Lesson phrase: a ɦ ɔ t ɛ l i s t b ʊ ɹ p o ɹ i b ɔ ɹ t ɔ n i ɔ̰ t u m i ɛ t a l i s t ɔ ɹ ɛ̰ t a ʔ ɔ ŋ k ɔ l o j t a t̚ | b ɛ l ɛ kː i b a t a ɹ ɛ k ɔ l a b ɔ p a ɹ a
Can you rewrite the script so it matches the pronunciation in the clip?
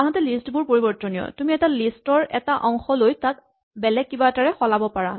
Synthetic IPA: a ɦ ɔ t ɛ l i s t b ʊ ɹ p o ɹ i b ɔ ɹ t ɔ n i ɔ̰ t u m i ɛ t a l i s t ɔ ɹ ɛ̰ t a ʔ ɔ ŋ x ɔ l o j t a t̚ | b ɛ l ɛ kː i b a t a ɹ ɛ x ɔ l a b ɔ p a ɹ a